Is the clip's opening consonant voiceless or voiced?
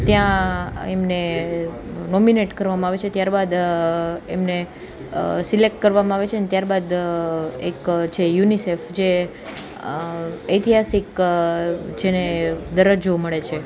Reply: voiceless